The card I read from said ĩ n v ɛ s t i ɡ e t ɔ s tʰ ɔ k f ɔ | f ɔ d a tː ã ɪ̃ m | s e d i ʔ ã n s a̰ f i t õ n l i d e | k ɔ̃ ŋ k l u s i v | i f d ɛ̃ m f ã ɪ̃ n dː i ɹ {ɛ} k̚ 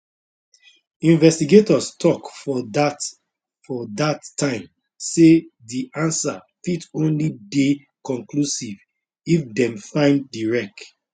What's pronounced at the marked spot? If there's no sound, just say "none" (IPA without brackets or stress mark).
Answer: ɛ